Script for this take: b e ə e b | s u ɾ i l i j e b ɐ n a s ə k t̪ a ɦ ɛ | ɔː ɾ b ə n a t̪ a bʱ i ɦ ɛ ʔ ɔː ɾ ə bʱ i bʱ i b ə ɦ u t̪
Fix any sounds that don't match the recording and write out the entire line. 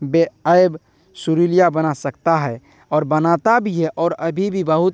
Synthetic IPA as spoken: b e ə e b | s u ɾ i l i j a b ə n a s ə k t̪ a ɦ ɛ | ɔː ɾ b ə n a t̪ a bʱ i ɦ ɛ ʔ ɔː ɾ ə bʱ i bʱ i b ə ɦ u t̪